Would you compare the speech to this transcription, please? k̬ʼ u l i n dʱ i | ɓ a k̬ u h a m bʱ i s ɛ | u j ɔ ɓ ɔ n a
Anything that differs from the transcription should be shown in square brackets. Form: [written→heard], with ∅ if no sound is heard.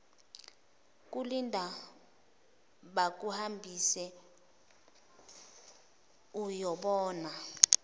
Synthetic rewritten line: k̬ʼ u l i n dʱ [i→a] | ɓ a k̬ u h a m bʱ i s ɛ | u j ɔ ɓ [ɔ→ɔː] n a